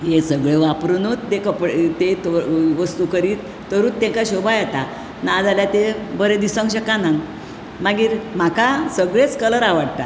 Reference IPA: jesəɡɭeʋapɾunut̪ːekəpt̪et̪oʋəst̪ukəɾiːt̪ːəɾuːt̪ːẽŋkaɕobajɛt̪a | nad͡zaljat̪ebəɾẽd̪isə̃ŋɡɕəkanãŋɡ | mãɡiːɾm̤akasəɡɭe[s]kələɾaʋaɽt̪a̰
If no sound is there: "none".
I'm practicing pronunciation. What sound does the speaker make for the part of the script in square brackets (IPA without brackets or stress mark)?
t͡s